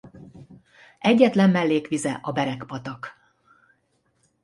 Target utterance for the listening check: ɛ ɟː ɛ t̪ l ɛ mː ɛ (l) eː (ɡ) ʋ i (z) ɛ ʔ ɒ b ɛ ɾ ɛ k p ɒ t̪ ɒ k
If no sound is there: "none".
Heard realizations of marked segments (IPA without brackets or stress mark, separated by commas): lː, k, z